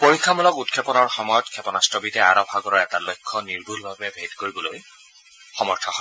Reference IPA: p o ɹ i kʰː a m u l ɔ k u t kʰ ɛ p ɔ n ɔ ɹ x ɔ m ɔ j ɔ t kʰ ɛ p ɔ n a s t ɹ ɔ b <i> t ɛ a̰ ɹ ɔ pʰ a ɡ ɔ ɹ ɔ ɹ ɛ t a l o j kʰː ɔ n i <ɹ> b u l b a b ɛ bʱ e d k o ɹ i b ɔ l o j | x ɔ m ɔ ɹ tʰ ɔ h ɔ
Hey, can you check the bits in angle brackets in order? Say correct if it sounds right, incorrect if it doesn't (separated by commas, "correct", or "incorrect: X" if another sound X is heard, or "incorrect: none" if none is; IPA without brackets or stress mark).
correct, correct